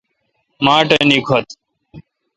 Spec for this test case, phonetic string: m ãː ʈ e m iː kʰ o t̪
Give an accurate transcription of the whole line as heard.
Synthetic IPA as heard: m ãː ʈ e n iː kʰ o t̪